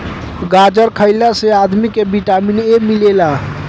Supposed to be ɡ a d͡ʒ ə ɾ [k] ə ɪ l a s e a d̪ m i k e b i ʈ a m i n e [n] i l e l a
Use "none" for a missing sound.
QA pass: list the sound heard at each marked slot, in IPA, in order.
kʰ, m

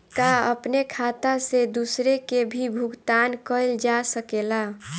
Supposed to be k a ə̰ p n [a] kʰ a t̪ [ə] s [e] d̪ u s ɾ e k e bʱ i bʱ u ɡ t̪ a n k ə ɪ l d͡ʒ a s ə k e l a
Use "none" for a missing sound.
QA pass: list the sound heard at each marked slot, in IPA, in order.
e, a, e

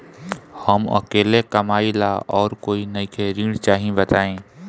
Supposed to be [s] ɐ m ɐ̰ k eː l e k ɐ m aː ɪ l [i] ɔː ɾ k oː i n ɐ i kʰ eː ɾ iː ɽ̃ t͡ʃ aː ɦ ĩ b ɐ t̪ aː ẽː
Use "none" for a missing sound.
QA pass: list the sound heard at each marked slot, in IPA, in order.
h, a

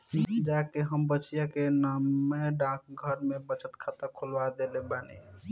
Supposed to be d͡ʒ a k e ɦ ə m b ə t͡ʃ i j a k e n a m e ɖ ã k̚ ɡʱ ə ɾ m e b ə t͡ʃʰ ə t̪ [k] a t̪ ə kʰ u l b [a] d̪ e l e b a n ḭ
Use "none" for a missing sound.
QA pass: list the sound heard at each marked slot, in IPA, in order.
kʰ, a

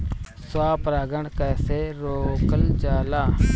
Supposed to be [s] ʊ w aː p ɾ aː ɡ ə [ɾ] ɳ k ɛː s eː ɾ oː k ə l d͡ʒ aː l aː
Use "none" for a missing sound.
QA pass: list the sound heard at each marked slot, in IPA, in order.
s, none

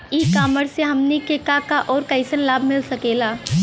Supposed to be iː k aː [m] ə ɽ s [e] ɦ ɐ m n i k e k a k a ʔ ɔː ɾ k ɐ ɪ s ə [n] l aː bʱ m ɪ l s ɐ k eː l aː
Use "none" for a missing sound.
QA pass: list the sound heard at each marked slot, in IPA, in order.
m, e, n

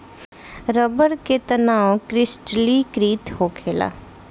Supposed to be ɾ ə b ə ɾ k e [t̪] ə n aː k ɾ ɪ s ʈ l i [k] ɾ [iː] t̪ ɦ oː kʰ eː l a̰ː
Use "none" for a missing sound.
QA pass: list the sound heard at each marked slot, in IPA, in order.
t̪, k, iː

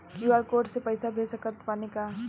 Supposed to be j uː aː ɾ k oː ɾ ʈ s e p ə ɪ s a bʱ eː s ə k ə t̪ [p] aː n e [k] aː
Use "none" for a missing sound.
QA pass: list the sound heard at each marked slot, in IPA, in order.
p, k

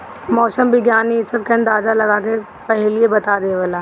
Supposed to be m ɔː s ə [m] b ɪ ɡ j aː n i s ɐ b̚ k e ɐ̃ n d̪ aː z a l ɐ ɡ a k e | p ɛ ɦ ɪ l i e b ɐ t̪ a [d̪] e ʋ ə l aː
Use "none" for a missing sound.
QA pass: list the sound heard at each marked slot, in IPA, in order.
m, d̪

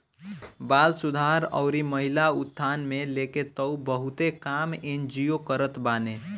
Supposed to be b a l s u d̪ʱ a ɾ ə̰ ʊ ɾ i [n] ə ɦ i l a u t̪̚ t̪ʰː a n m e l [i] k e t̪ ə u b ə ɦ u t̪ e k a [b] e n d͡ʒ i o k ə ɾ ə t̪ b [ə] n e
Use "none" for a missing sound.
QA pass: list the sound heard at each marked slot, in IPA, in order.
m, e, m, a

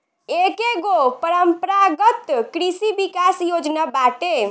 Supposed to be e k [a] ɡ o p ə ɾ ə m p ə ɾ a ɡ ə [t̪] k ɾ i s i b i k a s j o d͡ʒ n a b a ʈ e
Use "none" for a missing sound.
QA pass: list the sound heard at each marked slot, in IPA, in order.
e, t̪

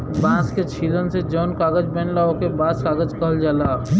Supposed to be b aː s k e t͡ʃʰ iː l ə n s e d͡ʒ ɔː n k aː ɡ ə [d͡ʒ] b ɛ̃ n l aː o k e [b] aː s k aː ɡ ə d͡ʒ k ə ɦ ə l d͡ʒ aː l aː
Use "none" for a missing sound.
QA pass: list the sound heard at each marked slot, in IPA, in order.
d͡ʒ, b

